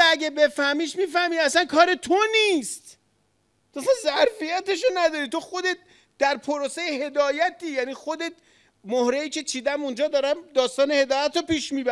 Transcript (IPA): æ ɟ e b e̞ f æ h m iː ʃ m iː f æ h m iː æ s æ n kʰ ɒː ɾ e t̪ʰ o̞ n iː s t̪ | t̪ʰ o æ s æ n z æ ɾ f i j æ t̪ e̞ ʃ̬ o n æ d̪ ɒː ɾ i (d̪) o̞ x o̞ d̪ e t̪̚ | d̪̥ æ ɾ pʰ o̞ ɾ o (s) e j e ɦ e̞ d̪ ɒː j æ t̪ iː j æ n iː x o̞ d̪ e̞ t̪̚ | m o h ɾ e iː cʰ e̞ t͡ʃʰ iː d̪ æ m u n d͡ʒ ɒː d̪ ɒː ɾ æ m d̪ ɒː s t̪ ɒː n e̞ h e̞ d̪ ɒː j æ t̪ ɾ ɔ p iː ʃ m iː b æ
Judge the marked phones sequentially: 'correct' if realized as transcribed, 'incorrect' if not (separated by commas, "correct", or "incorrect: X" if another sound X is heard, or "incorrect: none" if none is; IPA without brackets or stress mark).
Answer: incorrect: t̪, correct